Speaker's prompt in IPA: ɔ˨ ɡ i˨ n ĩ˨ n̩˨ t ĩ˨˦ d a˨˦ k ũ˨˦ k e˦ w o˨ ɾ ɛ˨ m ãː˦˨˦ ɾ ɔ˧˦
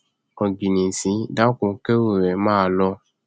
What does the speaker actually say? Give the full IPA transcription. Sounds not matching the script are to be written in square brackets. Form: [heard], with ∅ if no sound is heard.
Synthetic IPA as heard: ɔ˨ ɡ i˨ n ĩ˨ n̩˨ [s] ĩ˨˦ d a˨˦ k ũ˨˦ k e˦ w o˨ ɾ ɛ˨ m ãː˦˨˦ [l] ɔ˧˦